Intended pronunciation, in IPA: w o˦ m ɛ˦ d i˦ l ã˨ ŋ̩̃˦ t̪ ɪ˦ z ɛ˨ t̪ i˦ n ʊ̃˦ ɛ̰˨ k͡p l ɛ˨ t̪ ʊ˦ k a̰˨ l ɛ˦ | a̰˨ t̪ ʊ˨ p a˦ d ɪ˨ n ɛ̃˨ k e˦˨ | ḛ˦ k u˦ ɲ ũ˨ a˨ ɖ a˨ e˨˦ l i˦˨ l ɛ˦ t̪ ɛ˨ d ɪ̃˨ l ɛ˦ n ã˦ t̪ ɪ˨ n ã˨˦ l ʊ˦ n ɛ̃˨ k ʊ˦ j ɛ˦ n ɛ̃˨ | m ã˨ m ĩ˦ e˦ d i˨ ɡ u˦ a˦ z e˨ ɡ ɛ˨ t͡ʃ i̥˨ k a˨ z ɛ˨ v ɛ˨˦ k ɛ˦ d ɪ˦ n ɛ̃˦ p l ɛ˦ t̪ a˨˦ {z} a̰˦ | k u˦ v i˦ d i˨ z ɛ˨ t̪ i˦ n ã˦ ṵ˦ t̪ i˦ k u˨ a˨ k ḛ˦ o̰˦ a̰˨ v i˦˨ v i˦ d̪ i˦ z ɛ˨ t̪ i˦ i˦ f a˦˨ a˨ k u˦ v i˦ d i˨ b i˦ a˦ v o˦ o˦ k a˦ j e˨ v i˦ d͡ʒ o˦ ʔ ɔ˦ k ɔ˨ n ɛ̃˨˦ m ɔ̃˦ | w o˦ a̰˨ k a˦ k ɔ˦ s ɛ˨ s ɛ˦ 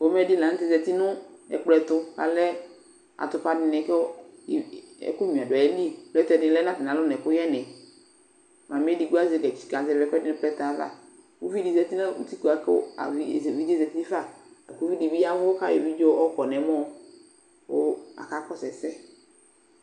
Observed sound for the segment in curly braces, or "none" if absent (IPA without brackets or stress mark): v